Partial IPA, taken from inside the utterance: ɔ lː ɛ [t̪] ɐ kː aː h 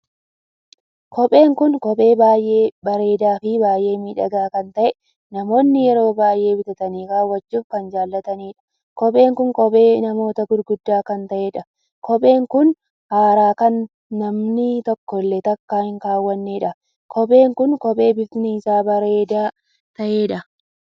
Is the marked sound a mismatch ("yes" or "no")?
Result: no